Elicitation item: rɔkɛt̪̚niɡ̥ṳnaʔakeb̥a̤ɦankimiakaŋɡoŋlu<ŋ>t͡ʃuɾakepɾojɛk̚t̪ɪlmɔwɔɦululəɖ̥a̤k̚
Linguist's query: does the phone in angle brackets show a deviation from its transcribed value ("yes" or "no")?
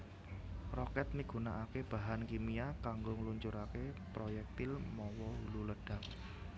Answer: yes